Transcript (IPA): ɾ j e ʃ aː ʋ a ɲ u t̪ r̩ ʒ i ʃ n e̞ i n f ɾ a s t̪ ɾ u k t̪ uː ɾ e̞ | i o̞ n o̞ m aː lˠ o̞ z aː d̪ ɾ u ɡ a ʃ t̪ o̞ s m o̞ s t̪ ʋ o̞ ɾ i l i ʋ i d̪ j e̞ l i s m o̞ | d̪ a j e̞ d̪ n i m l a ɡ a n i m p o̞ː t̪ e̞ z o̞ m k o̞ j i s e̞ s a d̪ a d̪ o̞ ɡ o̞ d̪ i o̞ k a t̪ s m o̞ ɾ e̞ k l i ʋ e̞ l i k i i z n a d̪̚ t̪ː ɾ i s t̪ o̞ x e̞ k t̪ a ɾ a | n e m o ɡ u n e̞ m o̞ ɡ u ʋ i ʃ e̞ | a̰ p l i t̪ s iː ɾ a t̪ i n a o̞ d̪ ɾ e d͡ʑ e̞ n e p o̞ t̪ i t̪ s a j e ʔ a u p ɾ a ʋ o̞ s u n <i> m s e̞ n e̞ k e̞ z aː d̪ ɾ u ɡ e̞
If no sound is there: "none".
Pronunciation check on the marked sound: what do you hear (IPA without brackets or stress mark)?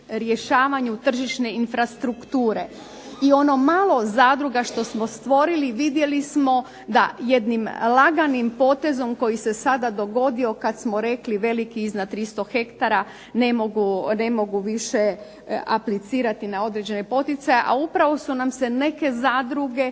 a